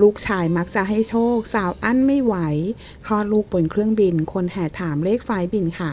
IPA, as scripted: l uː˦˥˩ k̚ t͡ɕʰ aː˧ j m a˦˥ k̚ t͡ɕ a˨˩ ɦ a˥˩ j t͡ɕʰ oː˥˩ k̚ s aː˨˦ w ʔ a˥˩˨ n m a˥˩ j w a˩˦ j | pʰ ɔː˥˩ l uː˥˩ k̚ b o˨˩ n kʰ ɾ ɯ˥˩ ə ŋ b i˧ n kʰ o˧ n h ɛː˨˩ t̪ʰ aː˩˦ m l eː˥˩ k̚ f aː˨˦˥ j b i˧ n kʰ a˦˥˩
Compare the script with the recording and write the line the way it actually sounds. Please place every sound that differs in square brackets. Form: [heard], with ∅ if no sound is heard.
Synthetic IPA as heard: l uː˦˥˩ k̚ t͡ɕʰ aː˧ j m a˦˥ k̚ t͡ɕ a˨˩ ɦ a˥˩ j t͡ɕʰ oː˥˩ k̚ s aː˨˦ w ʔ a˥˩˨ n m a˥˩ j w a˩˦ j | [kʰ] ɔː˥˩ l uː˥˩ k̚ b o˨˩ n kʰ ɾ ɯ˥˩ ə ŋ b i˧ n kʰ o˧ n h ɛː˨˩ t̪ʰ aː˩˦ m l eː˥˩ k̚ f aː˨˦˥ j b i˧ n kʰ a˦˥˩